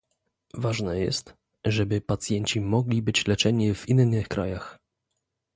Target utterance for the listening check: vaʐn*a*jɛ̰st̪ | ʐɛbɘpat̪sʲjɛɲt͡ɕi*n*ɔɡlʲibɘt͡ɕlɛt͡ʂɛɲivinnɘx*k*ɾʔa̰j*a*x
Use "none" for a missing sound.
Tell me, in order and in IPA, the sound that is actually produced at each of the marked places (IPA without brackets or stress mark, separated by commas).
ɛ, m, k, a